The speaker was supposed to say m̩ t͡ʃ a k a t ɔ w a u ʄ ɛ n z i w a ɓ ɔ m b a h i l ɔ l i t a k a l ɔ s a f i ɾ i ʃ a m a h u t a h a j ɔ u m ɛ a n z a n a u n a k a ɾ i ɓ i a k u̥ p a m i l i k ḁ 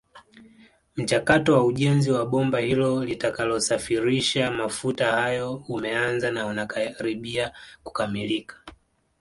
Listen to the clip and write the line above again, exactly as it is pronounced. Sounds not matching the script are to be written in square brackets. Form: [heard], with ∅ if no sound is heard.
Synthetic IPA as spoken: m̩ t͡ʃ a k a t ɔ w a u ʄ ɛ n z i w a ɓ ɔ m b a h i l ɔ l i t a k a l ɔ s a f i ɾ i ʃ a m a [f] u t a h a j ɔ u m ɛ a n z a n a u n a k a ɾ i ɓ i a k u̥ [k] a m i l i k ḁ